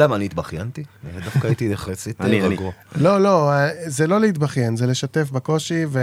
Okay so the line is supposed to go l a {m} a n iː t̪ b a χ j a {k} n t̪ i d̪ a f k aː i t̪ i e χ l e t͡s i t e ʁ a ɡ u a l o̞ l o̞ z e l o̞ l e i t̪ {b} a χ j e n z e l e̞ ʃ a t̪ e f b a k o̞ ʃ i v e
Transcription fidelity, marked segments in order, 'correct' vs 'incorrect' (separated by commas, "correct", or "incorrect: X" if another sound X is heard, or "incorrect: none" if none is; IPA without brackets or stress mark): correct, incorrect: none, correct